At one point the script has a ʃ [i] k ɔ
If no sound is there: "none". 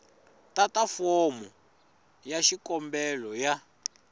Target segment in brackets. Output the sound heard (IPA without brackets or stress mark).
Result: i